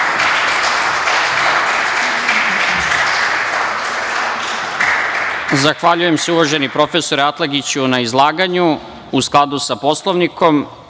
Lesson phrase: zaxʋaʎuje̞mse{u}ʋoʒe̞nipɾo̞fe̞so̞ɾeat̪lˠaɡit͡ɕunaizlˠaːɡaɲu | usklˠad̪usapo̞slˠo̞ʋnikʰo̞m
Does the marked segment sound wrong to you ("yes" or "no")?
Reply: no